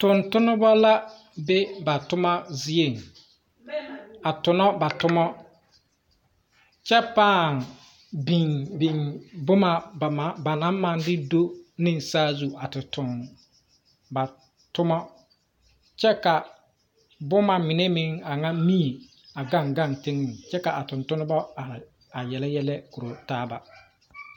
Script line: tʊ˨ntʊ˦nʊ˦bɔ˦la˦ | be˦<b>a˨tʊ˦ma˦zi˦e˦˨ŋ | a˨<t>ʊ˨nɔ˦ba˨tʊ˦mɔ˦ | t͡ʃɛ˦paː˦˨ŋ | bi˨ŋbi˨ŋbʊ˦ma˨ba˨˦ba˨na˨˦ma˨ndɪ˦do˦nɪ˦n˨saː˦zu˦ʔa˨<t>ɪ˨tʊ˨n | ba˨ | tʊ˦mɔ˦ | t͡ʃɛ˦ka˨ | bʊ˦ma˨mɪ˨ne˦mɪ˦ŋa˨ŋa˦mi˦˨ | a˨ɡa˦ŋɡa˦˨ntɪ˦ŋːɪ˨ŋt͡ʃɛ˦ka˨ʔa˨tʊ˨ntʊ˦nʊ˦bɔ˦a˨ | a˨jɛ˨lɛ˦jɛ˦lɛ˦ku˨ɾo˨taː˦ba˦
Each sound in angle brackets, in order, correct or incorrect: correct, correct, correct

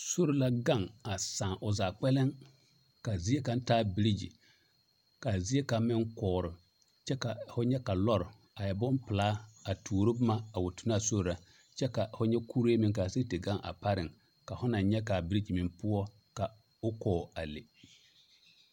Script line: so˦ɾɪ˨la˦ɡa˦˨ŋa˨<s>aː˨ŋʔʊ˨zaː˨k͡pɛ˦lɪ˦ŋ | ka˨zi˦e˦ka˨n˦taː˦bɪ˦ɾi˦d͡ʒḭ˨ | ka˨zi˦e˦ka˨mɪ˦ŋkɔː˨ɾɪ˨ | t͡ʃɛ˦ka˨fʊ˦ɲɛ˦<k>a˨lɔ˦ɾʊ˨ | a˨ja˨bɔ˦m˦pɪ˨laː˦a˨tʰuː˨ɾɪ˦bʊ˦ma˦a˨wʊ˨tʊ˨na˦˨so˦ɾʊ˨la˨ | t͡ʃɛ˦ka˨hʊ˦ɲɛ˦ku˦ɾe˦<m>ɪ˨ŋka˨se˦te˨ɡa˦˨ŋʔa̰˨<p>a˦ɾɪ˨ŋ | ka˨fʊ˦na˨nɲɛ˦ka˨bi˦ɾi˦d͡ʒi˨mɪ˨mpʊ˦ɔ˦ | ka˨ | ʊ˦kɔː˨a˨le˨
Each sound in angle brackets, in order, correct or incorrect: correct, correct, correct, correct

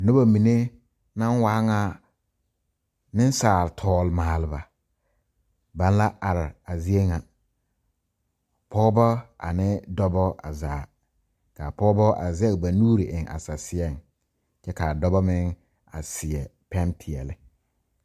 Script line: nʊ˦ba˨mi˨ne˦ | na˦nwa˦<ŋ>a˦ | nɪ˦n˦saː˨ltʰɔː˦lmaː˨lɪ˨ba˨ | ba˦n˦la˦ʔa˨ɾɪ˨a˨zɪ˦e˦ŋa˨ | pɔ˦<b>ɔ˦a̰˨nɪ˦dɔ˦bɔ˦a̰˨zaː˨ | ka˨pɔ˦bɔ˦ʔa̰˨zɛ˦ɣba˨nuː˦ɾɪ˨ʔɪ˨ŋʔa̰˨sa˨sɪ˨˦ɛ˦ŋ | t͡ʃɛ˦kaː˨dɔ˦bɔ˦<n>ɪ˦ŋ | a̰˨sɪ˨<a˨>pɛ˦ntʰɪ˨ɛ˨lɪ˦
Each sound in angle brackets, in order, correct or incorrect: correct, correct, incorrect: m, incorrect: ɛ˨

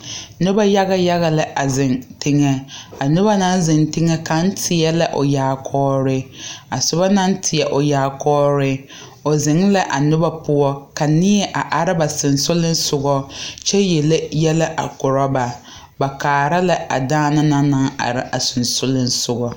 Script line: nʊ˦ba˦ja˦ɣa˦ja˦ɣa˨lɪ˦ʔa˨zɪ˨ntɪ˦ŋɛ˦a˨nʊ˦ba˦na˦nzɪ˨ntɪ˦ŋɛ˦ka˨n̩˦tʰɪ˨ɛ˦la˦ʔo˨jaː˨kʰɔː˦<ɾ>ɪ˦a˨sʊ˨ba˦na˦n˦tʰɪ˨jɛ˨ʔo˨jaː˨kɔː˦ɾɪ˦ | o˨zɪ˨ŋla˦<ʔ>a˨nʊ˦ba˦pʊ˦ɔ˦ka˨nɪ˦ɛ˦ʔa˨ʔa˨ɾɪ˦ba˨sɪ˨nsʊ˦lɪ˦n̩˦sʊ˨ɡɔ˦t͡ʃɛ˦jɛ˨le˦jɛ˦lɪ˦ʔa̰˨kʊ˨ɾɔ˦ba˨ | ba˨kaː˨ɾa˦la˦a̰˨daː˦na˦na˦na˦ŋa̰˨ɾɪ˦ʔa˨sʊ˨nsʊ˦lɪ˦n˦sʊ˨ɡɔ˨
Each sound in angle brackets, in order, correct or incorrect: correct, correct

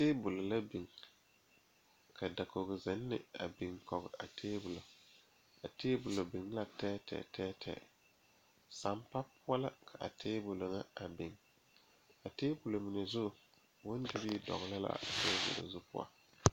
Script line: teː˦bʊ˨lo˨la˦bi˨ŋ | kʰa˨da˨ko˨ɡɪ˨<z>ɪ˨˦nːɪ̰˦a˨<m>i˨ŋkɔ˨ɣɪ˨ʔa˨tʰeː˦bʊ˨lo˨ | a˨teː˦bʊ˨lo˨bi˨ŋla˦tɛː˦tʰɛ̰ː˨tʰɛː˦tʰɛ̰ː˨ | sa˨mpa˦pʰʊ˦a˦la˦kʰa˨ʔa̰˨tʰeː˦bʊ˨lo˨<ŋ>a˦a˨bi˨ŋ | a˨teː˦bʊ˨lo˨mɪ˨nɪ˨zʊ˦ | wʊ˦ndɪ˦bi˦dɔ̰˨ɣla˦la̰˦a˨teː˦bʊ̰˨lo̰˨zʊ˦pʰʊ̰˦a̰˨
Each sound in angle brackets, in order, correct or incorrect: correct, incorrect: b, correct

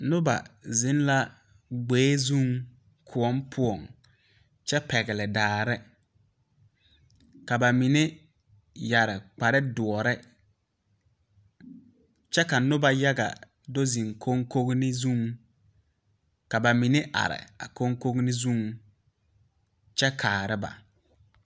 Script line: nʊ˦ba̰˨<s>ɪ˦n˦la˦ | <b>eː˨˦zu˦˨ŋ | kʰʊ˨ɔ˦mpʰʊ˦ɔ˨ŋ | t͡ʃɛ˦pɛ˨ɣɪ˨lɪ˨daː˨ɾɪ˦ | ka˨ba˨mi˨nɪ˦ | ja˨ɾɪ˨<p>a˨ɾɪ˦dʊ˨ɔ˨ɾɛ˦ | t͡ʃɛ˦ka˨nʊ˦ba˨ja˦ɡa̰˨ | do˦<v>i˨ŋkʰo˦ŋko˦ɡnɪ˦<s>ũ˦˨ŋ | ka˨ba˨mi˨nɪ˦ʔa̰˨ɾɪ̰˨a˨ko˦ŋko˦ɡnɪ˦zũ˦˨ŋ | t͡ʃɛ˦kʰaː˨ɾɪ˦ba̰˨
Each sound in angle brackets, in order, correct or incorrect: incorrect: z, incorrect: ɡ͡b, incorrect: k͡p, incorrect: z, incorrect: z

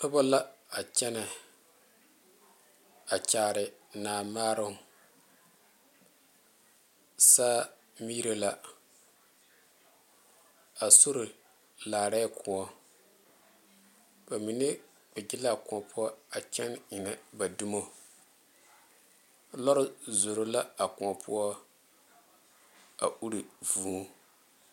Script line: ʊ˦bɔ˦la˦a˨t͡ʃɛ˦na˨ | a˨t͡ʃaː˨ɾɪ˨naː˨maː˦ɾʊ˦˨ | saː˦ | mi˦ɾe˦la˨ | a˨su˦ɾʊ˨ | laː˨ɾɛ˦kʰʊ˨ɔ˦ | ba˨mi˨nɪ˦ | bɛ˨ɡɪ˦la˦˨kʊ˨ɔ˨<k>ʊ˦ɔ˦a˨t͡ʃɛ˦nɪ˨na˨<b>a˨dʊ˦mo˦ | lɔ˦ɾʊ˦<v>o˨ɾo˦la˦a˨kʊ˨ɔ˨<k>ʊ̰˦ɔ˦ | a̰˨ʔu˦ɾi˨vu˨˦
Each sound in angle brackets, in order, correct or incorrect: incorrect: p, correct, incorrect: z, incorrect: p

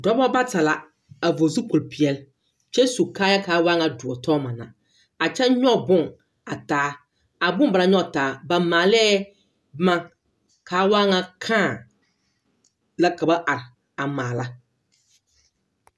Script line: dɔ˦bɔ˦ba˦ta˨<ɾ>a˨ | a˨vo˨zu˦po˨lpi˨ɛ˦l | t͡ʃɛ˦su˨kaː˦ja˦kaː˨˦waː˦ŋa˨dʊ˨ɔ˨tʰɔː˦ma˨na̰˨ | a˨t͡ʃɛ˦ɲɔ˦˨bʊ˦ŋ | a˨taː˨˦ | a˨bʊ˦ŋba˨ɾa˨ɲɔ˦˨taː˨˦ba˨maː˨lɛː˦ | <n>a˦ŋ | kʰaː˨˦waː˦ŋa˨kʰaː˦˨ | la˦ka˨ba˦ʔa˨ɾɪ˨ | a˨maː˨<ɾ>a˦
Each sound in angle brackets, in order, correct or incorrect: incorrect: l, incorrect: m, incorrect: l

